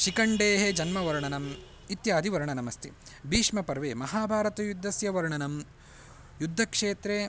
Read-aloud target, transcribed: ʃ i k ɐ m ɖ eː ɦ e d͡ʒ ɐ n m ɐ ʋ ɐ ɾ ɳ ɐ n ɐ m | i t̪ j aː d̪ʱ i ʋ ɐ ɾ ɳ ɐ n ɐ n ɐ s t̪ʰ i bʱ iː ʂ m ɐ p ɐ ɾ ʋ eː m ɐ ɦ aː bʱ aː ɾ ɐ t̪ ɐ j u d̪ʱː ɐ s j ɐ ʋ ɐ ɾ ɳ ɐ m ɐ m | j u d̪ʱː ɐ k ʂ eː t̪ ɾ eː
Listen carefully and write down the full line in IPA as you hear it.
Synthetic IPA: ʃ i k ɐ ɳ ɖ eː ɦ e d͡ʒ ɐ n m ɐ ʋ ɐ ɾ ɳ ɐ n ɐ m | i t̪ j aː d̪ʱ i ʋ ɐ ɾ ɳ ɐ n ɐ m ɐ s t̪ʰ i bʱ iː ʂ m ɐ p ɐ ɾ ʋ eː m ɐ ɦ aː bʱ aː ɾ ɐ t̪ ɐ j u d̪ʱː ɐ s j ɐ ʋ ɐ ɾ ɳ ɐ n ɐ m | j u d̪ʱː ɐ k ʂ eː t̪ ɾ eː